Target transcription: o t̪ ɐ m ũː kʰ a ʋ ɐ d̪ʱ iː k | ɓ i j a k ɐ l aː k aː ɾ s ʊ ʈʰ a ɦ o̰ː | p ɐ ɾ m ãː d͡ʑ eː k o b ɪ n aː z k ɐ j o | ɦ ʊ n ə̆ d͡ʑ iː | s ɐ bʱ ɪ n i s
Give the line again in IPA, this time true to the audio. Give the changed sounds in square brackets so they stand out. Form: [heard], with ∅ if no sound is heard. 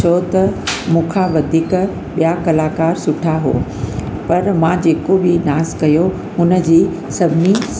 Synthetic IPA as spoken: o t̪ ɐ m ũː kʰ a ʋ ɐ d̪ʱ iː k | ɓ i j a k ɐ l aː k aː ɾ s ʊ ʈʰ a ɦ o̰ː | p ɐ ɾ m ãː d͡ʑ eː k o b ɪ n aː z k ɐ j o | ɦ ʊ n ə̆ d͡ʑ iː | s ɐ bʱ ɪ n i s